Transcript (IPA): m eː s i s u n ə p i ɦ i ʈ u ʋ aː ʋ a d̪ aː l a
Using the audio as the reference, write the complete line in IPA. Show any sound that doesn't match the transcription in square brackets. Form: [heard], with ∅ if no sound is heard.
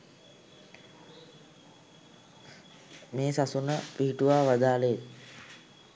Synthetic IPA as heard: m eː s [a] s u n ə p i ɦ i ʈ u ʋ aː ʋ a d̪ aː l [e]